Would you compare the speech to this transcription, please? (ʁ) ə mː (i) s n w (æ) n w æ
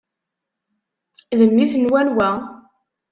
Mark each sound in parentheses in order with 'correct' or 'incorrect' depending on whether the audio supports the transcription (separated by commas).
incorrect, correct, correct